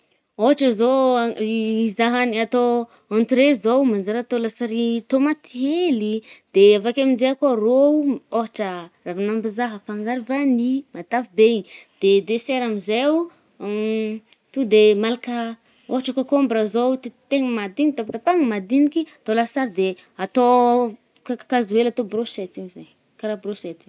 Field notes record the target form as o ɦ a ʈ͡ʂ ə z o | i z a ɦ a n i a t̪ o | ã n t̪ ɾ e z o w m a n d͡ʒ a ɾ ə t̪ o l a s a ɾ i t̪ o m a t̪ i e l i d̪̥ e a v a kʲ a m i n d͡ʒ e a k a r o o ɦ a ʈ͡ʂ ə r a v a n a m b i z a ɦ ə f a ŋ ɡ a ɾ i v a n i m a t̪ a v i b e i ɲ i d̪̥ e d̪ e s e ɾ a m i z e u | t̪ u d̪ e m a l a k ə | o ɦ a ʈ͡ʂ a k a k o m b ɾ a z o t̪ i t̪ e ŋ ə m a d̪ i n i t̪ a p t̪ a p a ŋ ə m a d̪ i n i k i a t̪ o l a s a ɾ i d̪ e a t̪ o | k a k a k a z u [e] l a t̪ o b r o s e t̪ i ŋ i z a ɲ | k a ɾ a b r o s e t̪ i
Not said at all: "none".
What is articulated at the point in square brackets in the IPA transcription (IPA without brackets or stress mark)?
e